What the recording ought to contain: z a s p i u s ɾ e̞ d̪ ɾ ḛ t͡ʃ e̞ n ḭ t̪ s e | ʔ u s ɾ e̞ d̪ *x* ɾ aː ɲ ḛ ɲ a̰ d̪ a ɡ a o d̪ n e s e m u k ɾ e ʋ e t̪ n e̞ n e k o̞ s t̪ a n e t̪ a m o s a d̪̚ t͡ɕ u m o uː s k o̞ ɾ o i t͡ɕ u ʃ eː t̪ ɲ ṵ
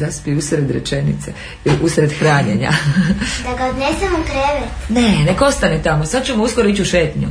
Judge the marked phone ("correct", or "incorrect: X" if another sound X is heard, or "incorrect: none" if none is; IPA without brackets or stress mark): correct